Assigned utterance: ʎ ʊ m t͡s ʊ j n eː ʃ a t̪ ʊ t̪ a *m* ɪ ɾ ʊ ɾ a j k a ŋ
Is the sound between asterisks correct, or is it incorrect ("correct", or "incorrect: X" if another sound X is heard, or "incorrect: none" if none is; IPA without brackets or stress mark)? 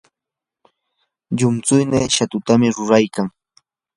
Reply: correct